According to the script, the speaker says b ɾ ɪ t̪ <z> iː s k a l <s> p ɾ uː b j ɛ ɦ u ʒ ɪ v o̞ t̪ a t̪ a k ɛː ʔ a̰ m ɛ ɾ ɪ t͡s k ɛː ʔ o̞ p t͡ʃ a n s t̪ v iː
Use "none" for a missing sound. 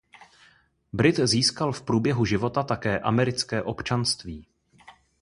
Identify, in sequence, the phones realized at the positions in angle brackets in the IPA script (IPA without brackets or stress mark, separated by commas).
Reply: z, f